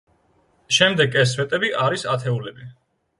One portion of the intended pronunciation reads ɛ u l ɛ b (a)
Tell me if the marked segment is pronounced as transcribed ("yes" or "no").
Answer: no